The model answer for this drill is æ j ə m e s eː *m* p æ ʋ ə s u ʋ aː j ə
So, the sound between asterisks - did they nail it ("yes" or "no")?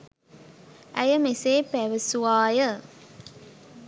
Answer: no